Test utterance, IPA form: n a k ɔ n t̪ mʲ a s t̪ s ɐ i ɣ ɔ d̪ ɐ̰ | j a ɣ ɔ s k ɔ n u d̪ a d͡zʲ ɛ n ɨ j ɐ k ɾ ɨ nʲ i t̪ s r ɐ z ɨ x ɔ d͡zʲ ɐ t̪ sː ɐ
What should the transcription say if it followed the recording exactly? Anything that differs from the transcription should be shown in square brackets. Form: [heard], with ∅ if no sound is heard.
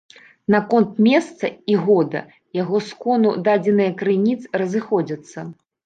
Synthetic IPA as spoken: n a k ɔ n t̪ mʲ [ɛ] s t̪ s ɐ i ɣ ɔ d̪ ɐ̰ | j a ɣ ɔ s k ɔ n u d̪ a d͡zʲ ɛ n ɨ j ɐ k ɾ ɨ nʲ i t̪ s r ɐ z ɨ x ɔ d͡zʲ ɐ t̪ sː ɐ